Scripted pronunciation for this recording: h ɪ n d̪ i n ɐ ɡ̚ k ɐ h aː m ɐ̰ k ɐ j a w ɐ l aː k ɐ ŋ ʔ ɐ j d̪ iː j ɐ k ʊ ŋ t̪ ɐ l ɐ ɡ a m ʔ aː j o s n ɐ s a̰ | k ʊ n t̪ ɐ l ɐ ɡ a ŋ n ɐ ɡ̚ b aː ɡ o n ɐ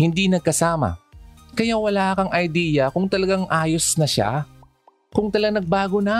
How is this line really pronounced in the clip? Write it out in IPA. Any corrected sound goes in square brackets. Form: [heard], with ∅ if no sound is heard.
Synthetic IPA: h ɪ n d̪ i n ɐ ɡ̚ k ɐ [s] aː m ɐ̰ k ɐ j a w ɐ l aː k ɐ ŋ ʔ ɐ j d̪ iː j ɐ k ʊ ŋ t̪ ɐ l ɐ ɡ a [ŋ] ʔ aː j o s n ɐ [ʃ] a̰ | k ʊ [ŋ] t̪ ɐ l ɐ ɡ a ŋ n ɐ ɡ̚ b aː ɡ o n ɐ